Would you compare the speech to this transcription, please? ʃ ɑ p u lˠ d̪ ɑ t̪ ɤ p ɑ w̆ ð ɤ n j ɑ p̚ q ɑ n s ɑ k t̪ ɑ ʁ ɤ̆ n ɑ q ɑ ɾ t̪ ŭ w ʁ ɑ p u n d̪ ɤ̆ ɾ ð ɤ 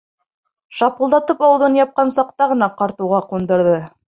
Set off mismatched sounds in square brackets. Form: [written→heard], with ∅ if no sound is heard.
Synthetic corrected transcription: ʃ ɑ p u lˠ d̪ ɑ t̪ ɤ p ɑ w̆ ð ɤ n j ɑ p̚ q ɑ n s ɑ [k→q] t̪ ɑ ʁ ɤ̆ n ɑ q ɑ ɾ t̪ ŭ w ʁ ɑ [p→q] u n d̪ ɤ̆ ɾ ð ɤ

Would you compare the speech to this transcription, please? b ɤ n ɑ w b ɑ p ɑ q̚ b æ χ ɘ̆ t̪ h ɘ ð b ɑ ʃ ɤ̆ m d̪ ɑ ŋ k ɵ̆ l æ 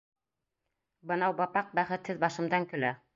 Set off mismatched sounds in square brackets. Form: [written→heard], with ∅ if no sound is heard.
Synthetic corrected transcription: b ɤ n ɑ w b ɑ p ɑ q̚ b æ χ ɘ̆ t̪ h ɘ ð b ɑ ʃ ɤ̆ m d̪ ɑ ŋ k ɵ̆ l æ

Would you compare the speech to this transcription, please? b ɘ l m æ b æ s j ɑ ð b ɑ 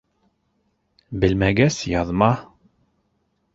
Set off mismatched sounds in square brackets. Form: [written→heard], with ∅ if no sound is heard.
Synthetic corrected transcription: b ɘ l m æ [b→ɡ] æ s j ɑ ð [b→m] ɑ

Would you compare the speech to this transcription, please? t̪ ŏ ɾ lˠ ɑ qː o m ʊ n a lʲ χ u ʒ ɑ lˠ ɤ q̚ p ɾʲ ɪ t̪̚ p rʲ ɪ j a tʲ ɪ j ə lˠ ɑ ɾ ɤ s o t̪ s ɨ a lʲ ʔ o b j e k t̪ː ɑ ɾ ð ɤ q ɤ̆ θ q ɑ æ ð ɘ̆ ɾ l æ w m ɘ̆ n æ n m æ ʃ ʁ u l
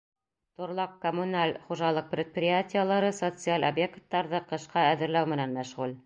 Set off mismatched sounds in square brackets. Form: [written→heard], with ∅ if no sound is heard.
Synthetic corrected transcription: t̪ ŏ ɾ lˠ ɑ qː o m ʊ n a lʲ χ u ʒ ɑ lˠ ɤ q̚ p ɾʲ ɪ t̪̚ p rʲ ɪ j a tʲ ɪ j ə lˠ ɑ ɾ ɤ s o t̪ s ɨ a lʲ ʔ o b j e k t̪ː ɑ ɾ ð ɤ q ɤ̆ [θ→ʃ] q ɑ æ ð ɘ̆ ɾ l æ w m ɘ̆ n æ n m æ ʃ ʁ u l

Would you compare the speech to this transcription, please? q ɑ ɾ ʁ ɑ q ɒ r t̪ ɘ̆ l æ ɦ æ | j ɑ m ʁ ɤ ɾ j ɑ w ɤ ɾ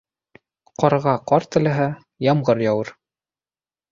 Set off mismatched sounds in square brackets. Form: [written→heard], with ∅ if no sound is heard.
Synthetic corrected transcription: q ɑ ɾ ʁ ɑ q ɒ [r→ɾ] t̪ ɘ̆ l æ ɦ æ | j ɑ m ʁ ɤ ɾ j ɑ w ɤ ɾ

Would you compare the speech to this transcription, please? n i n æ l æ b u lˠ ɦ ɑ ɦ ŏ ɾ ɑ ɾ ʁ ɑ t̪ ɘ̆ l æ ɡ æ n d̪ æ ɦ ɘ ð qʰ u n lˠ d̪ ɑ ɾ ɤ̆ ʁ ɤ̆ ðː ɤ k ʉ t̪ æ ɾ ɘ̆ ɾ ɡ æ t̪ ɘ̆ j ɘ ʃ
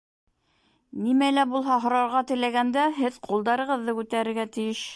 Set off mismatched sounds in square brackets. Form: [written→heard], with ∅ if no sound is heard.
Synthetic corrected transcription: n i [n→m] æ l æ b u lˠ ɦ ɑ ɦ ŏ ɾ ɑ ɾ ʁ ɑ t̪ ɘ̆ l æ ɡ æ n d̪ æ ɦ ɘ ð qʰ u [n→∅] lˠ d̪ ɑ ɾ ɤ̆ ʁ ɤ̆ ðː ɤ k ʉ t̪ æ ɾ ɘ̆ ɾ ɡ æ t̪ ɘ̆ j ɘ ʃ

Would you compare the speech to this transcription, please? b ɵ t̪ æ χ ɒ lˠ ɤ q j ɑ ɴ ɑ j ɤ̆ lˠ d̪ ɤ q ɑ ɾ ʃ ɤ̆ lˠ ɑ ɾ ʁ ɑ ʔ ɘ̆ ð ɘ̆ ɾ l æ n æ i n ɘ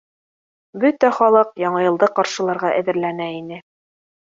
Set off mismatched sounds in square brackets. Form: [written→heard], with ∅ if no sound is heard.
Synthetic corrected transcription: b ɵ t̪ æ χ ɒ lˠ ɤ q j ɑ ɴ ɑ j ɤ̆ lˠ d̪ ɤ q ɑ ɾ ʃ ɤ̆ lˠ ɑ ɾ ʁ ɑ ʔ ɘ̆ ð ɘ̆ ɾ l æ n æ i n ɘ

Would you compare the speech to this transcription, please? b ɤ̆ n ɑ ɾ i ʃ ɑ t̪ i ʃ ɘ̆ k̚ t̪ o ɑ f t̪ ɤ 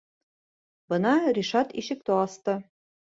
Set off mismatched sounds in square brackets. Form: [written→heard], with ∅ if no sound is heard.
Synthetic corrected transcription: b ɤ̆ n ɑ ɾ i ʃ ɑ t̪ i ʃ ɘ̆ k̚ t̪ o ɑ [f→s] t̪ ɤ

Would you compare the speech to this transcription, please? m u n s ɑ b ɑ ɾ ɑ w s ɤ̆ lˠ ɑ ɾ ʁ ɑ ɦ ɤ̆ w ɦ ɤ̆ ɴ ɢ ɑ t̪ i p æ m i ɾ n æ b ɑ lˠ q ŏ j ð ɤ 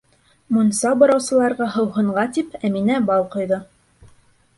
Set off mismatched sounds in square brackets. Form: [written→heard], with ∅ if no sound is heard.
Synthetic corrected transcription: m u n s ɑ b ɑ ɾ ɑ w s ɤ̆ lˠ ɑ ɾ ʁ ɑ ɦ ɤ̆ w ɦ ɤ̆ ɴ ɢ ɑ t̪ i p æ m i [ɾ→∅] n æ b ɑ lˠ q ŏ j ð ɤ

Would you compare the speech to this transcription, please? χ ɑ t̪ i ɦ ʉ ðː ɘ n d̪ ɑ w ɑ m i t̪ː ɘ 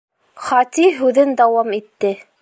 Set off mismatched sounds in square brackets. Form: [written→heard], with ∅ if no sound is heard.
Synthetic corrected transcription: χ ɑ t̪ i ɦ ʉ [ðː→ð] ɘ n d̪ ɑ w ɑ m i t̪ː ɘ

